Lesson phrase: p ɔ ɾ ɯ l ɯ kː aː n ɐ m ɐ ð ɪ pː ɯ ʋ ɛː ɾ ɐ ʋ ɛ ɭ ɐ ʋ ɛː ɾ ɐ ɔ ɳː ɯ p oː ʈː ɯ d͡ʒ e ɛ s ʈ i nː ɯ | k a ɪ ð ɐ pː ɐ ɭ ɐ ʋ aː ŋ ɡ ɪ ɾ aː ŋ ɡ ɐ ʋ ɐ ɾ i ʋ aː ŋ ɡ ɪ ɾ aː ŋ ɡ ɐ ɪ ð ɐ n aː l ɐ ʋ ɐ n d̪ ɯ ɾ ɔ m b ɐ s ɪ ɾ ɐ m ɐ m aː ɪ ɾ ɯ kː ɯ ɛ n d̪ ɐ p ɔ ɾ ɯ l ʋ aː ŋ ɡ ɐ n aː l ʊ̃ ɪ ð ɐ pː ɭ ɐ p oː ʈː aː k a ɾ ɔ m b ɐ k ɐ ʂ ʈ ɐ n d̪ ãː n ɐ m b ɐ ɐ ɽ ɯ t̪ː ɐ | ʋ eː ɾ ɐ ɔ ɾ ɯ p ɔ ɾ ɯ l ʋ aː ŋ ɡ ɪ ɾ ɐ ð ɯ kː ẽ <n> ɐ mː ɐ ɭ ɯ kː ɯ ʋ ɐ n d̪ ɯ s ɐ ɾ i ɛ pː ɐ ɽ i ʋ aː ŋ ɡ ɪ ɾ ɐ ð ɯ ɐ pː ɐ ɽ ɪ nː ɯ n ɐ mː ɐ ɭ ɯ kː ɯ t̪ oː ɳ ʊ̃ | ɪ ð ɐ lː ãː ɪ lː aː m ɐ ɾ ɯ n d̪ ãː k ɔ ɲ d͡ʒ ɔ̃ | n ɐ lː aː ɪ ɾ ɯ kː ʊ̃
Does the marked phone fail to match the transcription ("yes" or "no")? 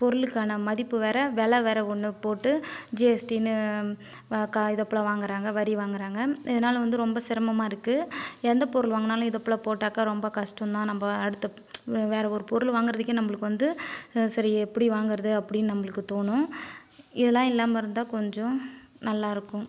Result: no